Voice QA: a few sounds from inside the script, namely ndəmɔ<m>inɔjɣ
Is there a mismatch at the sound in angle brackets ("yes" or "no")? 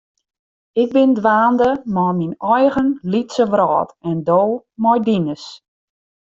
no